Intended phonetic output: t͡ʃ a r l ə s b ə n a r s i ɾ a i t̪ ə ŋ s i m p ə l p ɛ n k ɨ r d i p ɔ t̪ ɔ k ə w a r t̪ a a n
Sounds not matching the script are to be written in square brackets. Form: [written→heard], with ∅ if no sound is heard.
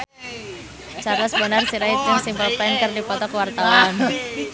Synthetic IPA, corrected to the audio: t͡ʃ a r l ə s b ə n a r s i ɾ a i t̪ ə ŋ s i m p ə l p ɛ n k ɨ r d i p ɔ t̪ ɔ k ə w a r t̪ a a n